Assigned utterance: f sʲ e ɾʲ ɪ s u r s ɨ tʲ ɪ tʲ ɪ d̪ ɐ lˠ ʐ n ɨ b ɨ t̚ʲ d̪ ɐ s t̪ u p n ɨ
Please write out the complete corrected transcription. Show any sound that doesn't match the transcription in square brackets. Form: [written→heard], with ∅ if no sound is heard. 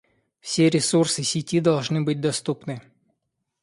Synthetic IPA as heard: f sʲ e ɾʲ ɪ s u r s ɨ [tʲ→sʲ] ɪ tʲ [ɪ→i] d̪ ɐ lˠ ʐ n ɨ b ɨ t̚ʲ d̪ ɐ s t̪ u p n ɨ